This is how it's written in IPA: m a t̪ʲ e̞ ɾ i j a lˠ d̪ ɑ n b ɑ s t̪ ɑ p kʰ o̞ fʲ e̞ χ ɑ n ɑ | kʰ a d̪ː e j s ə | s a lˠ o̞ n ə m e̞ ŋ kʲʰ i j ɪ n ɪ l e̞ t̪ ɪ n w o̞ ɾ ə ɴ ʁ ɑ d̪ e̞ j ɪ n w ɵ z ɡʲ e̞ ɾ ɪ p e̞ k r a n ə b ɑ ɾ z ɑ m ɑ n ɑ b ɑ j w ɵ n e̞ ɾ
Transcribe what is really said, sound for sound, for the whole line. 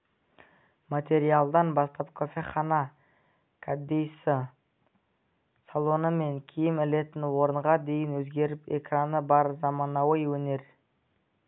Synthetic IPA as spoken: m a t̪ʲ e̞ ɾ i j a lˠ d̪ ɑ n b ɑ s t̪ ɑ p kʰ o̞ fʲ e̞ χ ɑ n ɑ | kʰ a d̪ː e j s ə | s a lˠ o̞ n ə m e̞ ŋ kʲʰ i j ɪ m ɪ l e̞ t̪ ɪ n w o̞ ɾ ə ɴ ʁ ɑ d̪ e̞ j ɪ n w ɵ z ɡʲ e̞ ɾ ɪ p e̞ k r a n ə b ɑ ɾ z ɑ m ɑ n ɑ w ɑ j w ɵ n e̞ ɾ